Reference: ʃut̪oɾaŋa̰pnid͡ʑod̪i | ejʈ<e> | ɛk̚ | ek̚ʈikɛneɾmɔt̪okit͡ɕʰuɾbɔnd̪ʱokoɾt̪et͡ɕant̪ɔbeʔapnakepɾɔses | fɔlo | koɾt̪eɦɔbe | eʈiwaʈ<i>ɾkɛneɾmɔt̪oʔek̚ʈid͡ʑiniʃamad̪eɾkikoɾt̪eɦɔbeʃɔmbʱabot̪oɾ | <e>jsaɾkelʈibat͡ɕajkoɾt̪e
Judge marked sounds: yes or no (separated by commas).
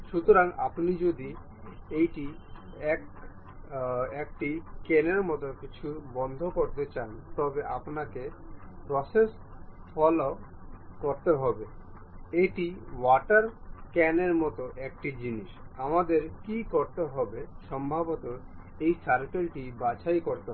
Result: no, no, yes